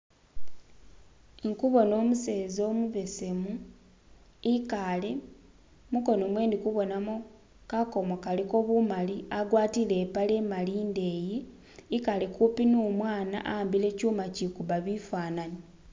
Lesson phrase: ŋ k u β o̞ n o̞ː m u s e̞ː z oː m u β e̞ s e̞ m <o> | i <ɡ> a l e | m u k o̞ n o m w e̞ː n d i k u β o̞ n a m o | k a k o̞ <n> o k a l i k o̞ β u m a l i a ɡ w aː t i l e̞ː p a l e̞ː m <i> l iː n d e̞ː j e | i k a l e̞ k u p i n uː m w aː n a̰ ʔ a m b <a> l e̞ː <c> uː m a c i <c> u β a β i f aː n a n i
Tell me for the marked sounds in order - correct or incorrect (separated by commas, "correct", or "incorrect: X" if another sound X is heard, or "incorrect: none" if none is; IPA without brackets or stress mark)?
incorrect: u, incorrect: k, incorrect: m, incorrect: a, incorrect: i, correct, incorrect: k